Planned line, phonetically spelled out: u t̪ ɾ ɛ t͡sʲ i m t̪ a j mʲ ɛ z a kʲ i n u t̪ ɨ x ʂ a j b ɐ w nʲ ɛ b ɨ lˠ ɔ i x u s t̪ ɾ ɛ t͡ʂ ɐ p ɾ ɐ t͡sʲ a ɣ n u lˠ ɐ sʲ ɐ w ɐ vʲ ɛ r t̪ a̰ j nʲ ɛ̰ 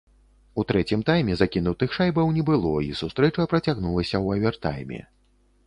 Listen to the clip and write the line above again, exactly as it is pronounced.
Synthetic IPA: u t̪ ɾ ɛ t͡sʲ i m t̪ a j mʲ ɛ z a kʲ i n u t̪ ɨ x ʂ a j b ɐ w nʲ ɛ b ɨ lˠ ɔ i s u s t̪ ɾ ɛ t͡ʂ ɐ p ɾ ɐ t͡sʲ a ɣ n u lˠ ɐ sʲ ɐ w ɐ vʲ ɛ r t̪ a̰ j mʲ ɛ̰